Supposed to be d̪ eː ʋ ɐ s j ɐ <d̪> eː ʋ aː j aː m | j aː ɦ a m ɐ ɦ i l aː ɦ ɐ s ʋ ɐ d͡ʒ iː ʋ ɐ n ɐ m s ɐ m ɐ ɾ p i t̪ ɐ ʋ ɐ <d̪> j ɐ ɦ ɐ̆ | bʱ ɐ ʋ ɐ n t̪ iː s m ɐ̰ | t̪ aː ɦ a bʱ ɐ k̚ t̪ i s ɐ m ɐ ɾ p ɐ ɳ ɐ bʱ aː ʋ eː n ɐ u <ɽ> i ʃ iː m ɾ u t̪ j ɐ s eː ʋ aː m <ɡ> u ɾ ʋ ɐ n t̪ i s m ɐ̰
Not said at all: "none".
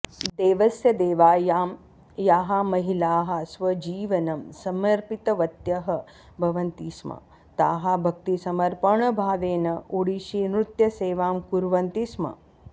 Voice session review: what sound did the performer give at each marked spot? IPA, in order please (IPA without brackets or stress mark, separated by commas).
d̪, t̪, ɽ, k